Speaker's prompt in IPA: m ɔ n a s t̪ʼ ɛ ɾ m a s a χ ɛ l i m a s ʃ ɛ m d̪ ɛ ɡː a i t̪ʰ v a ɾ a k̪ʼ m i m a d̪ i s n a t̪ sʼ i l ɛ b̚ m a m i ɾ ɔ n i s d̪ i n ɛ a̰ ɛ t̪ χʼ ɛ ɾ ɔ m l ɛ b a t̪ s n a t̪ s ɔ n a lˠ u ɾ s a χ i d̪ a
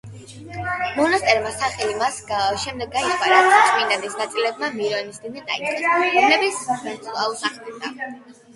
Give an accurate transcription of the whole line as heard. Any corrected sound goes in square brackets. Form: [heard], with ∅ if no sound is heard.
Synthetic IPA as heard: m ɔ n a s t̪ʼ ɛ ɾ m a s a χ ɛ l i m a s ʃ ɛ m d̪ ɛ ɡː a i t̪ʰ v a ɾ a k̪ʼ m i [n] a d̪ i s n a t̪ sʼ i l ɛ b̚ m a m i ɾ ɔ n i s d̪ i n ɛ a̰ [i] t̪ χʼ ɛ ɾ ɔ m l ɛ b [i] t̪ s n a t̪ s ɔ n a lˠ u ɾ s a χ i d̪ a